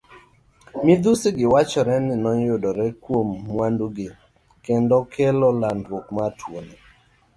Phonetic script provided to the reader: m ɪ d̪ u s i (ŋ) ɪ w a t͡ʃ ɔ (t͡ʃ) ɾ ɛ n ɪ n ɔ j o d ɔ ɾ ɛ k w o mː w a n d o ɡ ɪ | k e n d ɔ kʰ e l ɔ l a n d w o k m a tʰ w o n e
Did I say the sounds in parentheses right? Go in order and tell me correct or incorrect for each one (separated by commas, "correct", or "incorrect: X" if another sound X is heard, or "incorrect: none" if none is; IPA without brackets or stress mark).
incorrect: ɡ, incorrect: none